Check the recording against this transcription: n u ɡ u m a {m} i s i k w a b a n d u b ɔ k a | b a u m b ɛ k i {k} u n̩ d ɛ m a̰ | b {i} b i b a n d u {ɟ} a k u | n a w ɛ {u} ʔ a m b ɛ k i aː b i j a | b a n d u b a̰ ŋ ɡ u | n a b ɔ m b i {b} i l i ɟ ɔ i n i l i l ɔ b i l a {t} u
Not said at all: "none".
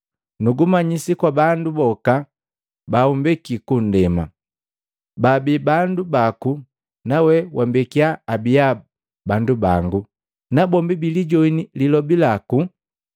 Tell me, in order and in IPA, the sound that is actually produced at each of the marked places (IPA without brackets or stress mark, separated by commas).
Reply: ɲ, k, a, b, w, b, k